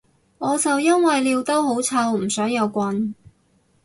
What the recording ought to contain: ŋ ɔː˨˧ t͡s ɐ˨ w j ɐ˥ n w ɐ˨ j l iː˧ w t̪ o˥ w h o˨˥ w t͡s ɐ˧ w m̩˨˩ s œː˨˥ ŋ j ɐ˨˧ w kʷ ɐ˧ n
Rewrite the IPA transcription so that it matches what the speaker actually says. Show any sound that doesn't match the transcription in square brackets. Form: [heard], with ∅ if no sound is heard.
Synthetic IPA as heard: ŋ ɔː˨˧ t͡s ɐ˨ w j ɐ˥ n w ɐ˨ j l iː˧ w t̪ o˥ w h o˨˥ w [t͡sʰ] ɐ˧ w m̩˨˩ s œː˨˥ ŋ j ɐ˨˧ w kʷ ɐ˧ n